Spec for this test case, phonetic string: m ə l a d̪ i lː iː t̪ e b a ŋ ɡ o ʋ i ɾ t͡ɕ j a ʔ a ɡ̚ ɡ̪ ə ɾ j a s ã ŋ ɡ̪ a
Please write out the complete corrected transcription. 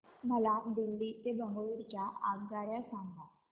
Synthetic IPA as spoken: m ə l a d̪ i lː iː t̪ e b ə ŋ ɡ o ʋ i ɾ t͡ɕ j a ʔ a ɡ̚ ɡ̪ a ɾ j a s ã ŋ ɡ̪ a